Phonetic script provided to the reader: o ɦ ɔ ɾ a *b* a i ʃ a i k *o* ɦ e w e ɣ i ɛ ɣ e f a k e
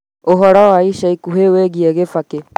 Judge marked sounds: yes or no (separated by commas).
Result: no, no